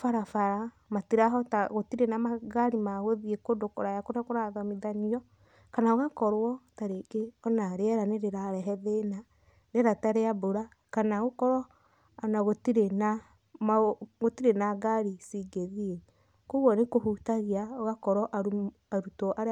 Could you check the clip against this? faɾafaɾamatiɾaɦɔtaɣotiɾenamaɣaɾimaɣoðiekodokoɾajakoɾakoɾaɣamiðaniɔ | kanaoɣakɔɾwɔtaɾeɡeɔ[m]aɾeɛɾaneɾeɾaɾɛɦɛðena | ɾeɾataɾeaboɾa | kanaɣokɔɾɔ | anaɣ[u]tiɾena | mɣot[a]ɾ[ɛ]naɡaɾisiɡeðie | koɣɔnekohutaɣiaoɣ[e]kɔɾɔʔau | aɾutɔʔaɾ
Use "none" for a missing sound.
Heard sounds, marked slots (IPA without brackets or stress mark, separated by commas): n, o, i, e, a